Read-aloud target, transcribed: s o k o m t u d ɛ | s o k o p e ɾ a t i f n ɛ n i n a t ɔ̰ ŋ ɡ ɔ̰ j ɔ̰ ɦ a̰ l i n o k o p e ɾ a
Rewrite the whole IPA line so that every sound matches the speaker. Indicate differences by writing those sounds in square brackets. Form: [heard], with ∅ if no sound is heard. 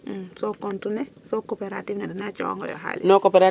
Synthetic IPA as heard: s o k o [n] t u [n] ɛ | s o k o p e ɾ a t i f n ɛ [d] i n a [t͡ʃ] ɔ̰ ŋ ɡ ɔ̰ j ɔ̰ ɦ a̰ l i n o k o p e ɾ a